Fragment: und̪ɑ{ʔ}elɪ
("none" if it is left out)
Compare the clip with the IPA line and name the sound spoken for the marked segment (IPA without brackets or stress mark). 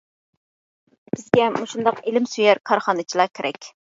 q